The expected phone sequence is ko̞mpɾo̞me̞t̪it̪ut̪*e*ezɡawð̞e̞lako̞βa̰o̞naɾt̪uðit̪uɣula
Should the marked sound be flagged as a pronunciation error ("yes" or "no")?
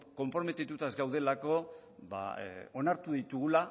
yes